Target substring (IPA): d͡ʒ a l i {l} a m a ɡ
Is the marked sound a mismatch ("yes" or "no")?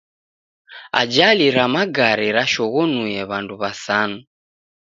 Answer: yes